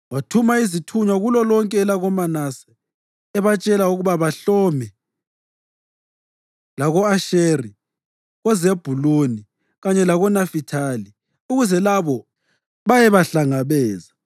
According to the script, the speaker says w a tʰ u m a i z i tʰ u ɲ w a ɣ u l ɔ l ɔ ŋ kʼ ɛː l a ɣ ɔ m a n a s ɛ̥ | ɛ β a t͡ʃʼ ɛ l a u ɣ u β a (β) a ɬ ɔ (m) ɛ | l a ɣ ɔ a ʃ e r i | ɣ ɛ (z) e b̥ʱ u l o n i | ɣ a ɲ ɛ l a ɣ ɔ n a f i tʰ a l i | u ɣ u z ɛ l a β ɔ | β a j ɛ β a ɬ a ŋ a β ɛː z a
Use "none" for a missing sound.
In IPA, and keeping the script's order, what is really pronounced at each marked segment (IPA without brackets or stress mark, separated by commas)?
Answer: β, m, z